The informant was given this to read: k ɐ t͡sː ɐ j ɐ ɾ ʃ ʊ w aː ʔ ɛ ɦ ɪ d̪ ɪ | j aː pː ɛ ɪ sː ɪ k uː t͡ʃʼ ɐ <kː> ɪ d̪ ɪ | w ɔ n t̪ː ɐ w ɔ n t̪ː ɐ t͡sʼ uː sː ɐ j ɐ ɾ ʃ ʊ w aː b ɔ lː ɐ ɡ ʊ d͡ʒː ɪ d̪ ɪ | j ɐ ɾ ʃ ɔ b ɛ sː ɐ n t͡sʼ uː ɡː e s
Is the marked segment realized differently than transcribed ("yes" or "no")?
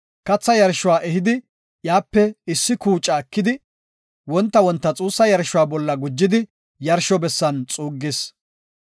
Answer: no